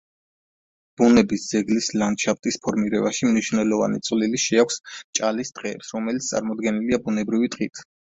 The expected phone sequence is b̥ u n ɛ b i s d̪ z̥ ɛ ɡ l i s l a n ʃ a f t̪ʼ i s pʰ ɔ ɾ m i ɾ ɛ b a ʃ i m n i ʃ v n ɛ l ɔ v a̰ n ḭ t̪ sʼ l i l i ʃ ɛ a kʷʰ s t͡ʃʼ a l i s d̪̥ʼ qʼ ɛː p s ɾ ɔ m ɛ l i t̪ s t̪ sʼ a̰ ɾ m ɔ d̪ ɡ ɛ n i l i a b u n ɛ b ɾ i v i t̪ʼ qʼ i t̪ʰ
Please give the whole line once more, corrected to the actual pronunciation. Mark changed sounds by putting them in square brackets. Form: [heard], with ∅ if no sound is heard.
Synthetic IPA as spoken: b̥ u n ɛ b i s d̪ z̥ ɛ ɡ l i s l a n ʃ a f t̪ʼ i s pʰ ɔ ɾ m i ɾ ɛ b a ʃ i m n i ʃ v n ɛ l ɔ v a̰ n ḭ t̪ sʼ l i l i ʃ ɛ a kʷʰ s t͡ʃʼ a l i s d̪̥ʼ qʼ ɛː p s ɾ ɔ m ɛ l i t̪ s t̪ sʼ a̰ ɾ m ɔ d̪ ɡ ɛ n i l i a b u n ɛ b ɾ i v i t̪ʼ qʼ i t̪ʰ